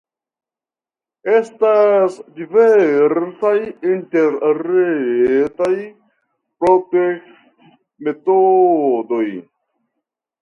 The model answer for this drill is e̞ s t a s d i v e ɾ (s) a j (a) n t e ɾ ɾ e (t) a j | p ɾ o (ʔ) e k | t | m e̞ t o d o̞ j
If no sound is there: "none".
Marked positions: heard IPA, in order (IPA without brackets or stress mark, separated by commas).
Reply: s, i, t, t